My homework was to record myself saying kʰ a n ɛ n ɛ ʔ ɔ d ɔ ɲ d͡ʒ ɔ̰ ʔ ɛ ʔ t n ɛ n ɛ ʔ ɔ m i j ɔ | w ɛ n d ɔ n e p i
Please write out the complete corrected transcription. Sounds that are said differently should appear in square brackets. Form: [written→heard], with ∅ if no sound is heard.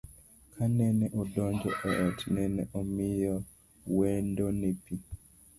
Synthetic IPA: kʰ a n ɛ n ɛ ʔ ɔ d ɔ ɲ d͡ʒ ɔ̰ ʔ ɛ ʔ t n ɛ n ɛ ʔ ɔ m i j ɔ | w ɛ n d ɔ n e p i